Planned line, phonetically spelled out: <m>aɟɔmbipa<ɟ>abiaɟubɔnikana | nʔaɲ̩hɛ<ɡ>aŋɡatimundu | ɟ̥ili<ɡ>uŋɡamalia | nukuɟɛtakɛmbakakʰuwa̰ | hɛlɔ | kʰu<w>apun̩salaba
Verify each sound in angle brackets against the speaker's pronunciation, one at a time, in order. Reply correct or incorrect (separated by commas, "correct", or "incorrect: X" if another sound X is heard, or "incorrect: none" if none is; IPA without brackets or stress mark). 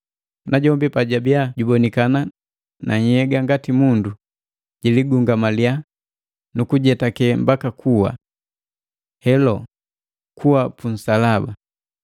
incorrect: n, correct, correct, correct, correct